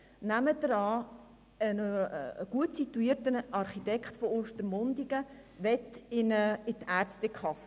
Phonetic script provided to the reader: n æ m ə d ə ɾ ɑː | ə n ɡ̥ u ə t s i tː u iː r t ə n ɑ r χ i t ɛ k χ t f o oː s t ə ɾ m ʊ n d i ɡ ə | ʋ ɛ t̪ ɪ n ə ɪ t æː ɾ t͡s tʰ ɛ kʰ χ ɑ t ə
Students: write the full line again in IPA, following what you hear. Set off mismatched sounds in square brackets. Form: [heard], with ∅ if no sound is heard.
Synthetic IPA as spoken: n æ m ə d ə ɾ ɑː | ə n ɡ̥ u ə t s i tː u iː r t ə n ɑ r χ i t ɛ k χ t f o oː [ʃ] t ə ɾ m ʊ n d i ɡ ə | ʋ ɛ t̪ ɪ n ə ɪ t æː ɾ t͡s [t] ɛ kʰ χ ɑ [s] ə